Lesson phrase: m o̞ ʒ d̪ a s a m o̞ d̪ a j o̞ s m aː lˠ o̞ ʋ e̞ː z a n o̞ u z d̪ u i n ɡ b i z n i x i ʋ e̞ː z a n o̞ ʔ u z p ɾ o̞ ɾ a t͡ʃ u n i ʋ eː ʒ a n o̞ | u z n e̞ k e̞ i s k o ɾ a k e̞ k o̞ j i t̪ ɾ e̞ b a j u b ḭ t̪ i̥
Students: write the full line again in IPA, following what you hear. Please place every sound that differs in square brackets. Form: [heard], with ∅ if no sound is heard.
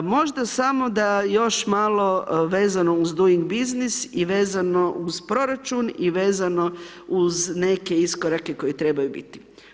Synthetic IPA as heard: m o̞ ʒ d̪ a s a m o̞ d̪ a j o̞ [ʃ] m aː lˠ o̞ ʋ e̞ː z a n o̞ u z d̪ u i [ŋ] ɡ b i z n i [s] i ʋ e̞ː z a n o̞ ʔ u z p ɾ o̞ ɾ a t͡ʃ u n i ʋ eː [z] a n o̞ | u z n e̞ k e̞ i s k o ɾ a k e̞ k o̞ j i t̪ ɾ e̞ b a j u b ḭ t̪ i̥